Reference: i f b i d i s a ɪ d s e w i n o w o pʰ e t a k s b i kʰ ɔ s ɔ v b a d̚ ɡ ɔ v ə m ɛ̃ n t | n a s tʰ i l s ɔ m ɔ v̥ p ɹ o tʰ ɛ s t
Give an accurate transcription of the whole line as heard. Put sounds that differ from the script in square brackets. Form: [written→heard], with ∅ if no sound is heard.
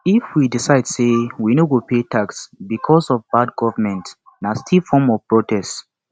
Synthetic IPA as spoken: i f [b→w] i d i s a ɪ d s e w i n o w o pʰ e t a k s b i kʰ ɔ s ɔ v b a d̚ ɡ ɔ v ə m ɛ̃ n t | n a s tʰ i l [s→f] ɔ m ɔ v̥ p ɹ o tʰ ɛ s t